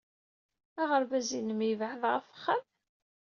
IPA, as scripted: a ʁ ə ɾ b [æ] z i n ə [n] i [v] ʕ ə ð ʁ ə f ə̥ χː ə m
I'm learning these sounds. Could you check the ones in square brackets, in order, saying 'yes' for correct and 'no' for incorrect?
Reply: yes, no, yes

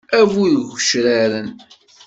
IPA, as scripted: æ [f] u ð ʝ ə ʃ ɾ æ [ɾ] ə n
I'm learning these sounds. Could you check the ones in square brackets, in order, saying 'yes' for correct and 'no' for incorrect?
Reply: no, yes

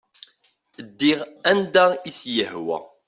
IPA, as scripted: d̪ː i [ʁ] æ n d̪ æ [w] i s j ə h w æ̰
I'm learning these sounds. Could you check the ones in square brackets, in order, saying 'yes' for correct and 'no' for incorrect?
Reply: yes, no

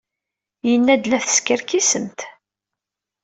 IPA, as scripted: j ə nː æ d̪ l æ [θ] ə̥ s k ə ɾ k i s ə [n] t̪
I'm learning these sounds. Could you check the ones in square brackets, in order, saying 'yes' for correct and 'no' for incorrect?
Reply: yes, no

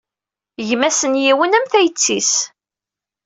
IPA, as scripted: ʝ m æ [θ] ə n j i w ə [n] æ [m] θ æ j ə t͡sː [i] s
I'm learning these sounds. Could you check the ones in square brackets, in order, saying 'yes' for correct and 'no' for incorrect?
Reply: no, yes, yes, yes

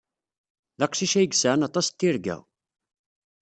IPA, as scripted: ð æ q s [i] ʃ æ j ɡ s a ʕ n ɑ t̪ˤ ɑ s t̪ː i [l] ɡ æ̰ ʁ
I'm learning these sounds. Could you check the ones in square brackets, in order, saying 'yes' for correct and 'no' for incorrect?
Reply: yes, no

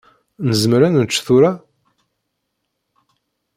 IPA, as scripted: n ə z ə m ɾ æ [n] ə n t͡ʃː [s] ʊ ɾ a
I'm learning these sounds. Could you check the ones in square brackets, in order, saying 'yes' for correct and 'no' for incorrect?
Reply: yes, no

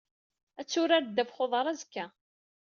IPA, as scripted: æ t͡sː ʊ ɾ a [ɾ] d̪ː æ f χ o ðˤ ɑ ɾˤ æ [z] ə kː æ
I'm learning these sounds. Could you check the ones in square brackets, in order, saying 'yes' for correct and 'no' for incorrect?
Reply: yes, yes

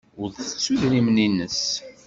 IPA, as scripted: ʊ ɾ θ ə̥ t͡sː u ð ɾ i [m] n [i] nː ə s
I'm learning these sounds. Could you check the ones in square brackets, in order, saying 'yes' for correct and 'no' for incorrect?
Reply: yes, yes

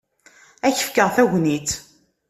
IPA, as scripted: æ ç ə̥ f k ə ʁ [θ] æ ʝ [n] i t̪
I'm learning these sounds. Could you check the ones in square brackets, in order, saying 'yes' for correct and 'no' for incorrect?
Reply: yes, yes

